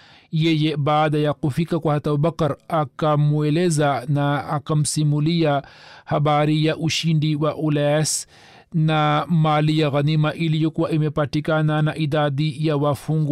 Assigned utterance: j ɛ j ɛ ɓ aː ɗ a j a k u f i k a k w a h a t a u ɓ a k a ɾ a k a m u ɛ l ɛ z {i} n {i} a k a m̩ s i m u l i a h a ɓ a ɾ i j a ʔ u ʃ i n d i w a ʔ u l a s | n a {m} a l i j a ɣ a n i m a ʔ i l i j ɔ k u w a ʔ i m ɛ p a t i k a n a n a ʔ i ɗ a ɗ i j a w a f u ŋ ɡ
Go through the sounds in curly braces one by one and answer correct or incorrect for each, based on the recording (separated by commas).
incorrect, incorrect, correct